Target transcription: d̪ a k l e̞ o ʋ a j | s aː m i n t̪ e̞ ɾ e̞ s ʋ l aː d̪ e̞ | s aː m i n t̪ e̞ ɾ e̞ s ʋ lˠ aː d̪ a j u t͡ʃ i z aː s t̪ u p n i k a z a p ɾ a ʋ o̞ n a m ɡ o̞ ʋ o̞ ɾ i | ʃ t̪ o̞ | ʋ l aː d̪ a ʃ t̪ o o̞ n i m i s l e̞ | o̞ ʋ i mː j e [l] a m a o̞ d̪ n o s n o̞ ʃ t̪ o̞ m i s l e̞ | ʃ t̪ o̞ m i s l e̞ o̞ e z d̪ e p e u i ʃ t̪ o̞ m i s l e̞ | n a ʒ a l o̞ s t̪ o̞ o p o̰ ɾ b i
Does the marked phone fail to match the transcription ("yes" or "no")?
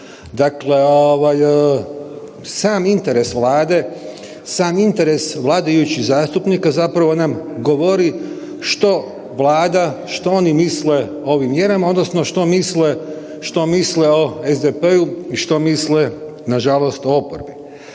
yes